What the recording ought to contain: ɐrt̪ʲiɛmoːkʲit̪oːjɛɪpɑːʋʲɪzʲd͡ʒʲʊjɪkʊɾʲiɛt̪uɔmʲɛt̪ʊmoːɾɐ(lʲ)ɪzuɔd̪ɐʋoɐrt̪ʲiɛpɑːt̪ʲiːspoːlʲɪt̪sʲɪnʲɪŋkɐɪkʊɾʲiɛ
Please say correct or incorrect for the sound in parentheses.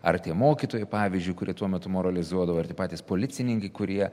correct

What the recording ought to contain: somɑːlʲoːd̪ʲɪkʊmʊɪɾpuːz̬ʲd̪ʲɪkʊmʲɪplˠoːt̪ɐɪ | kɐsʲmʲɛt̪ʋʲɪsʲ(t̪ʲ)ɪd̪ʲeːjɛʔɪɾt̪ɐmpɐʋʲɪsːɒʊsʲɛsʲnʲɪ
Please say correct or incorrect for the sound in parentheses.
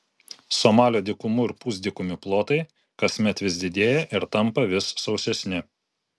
incorrect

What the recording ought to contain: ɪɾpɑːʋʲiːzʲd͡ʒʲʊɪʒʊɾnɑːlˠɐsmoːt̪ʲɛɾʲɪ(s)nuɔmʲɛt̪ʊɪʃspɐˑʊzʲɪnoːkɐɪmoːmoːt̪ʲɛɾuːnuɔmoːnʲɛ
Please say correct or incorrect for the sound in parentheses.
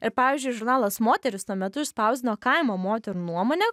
correct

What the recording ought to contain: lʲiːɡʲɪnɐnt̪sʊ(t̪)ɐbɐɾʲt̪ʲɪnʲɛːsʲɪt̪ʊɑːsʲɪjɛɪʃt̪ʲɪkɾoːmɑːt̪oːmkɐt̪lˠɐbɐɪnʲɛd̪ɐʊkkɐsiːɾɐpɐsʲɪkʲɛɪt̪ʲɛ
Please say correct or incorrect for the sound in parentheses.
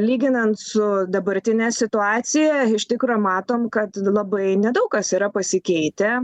incorrect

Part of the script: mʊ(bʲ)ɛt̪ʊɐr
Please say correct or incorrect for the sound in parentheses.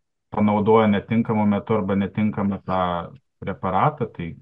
incorrect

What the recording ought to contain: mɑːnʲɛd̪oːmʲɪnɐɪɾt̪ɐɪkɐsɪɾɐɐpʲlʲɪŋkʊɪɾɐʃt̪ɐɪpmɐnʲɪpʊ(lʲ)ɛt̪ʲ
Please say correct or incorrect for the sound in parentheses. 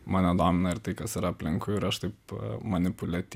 correct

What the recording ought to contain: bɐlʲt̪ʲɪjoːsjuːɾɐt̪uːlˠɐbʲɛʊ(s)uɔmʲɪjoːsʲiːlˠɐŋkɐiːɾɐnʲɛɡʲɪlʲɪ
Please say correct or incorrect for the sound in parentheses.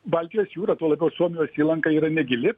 correct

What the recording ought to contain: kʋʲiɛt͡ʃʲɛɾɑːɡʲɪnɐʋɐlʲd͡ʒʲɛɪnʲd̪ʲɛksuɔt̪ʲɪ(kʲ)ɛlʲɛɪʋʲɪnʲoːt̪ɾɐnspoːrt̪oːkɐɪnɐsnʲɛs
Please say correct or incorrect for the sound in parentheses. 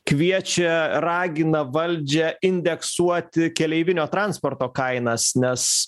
correct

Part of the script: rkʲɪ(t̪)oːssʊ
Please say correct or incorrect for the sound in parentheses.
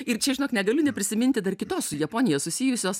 correct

